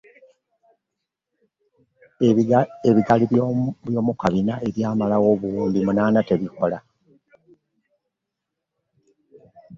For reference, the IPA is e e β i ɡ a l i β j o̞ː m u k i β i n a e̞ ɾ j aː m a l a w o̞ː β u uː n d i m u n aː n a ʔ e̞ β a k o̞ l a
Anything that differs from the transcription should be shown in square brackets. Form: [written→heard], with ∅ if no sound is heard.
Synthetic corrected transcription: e e β i ɡ a l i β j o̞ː m u k [i→a] β i n a e̞ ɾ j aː m a l a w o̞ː β u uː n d i m u n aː n a [ʔ→t] e̞ β [a→i] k o̞ l a